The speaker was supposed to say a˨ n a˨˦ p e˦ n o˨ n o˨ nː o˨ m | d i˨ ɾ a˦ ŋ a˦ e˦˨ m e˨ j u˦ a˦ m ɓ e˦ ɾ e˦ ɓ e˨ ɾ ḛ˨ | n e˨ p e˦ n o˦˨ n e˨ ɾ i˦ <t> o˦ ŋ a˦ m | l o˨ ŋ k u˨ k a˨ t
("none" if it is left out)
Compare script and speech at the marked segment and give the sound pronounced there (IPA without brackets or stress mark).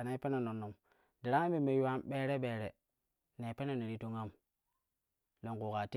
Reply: t